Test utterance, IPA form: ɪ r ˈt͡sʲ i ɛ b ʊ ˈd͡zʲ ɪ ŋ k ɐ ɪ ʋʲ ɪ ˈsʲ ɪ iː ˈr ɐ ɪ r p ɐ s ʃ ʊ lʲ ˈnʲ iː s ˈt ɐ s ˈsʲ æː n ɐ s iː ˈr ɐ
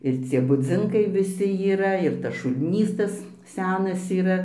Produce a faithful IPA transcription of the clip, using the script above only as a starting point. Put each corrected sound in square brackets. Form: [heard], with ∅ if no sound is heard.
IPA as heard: ɪ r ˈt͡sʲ i ɛ b ʊ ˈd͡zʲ ɪ ŋ k ɐ ɪ ʋʲ ɪ ˈsʲ ɪ iː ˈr ɐ ɪ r [t] ɐ s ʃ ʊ lʲ ˈnʲ iː s ˈt ɐ s ˈsʲ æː n ɐ s iː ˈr ɐ